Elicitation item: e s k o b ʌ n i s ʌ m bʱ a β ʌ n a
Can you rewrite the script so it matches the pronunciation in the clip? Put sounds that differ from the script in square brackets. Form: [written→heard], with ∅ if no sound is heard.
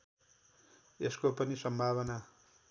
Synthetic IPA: e s k o [b→p] ʌ n i s ʌ m bʱ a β ʌ n a